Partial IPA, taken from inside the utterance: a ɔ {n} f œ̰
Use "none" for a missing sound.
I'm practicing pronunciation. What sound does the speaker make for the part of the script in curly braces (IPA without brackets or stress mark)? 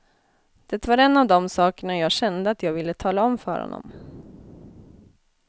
m